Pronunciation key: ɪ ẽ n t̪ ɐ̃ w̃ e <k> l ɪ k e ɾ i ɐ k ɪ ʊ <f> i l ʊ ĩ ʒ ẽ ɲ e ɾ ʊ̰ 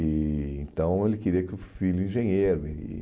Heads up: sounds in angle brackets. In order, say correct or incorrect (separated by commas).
incorrect, correct